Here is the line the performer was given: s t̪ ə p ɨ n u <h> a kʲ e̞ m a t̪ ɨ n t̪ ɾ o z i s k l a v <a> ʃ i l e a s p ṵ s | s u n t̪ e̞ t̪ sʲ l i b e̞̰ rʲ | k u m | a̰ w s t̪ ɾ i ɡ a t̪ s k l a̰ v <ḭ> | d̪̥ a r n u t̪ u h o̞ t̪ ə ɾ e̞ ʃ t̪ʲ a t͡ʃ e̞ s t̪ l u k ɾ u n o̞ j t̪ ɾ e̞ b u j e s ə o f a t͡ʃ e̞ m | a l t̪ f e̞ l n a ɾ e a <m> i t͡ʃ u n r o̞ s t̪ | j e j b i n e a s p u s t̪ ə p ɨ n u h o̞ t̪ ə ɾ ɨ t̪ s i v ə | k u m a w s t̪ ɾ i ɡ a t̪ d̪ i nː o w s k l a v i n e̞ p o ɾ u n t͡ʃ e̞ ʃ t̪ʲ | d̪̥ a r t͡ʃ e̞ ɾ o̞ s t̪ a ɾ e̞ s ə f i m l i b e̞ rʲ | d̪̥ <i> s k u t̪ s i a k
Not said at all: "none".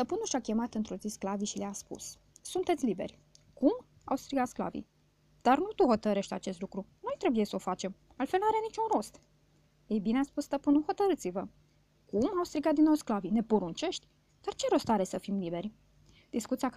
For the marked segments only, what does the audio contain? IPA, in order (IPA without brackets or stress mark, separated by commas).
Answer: ʃ, i, ḭ, n, i